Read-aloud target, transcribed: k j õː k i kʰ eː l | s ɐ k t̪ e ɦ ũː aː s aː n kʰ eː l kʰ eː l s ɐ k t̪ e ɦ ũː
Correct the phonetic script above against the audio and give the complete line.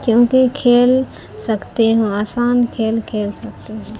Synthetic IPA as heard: k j õː k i kʰ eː l | s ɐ k t̪ e ɦ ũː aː s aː n kʰ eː l kʰ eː l s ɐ k t̪ e ɦ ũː